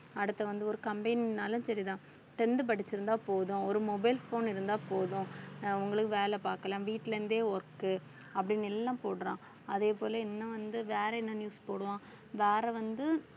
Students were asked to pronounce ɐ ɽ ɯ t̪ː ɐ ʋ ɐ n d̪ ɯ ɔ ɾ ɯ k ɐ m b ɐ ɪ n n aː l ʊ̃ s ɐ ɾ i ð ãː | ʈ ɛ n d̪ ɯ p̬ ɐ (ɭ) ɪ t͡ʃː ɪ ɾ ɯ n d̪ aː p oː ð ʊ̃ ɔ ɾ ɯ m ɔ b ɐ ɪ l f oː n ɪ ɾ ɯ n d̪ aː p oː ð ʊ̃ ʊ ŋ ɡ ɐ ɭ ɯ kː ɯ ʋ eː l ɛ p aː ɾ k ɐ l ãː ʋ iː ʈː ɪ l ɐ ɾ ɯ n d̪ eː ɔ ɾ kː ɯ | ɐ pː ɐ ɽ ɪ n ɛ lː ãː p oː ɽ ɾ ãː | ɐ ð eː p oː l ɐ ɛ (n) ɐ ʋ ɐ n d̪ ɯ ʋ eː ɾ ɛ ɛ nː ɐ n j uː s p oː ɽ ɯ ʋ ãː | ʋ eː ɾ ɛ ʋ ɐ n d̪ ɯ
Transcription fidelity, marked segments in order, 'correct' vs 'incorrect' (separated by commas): incorrect, incorrect